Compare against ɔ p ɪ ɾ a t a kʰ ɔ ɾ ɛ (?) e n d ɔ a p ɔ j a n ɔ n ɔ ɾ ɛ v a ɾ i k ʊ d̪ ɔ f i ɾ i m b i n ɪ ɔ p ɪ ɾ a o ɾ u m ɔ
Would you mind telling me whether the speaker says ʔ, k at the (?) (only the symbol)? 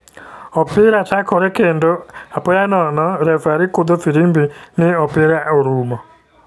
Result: k